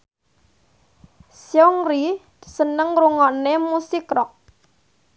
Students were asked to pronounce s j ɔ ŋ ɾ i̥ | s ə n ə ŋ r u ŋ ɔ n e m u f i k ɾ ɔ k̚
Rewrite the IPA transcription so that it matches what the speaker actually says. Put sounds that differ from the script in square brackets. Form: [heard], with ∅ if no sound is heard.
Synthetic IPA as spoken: s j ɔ ŋ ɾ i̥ | s ə n ə ŋ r u ŋ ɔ n e m u [s] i k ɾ ɔ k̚